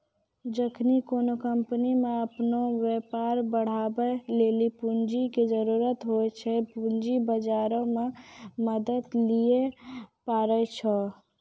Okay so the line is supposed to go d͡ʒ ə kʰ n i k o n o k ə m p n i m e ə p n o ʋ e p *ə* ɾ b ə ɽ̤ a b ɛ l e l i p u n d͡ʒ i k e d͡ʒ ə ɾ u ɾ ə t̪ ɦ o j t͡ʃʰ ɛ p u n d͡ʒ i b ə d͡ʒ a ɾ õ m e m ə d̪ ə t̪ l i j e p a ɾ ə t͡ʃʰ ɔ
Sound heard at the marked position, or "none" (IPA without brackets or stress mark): a